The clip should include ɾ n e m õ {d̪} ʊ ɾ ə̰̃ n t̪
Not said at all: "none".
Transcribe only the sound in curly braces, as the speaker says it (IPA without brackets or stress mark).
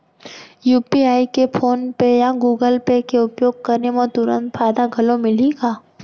t̪